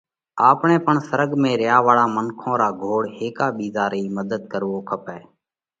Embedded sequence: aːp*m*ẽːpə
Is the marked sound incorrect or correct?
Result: incorrect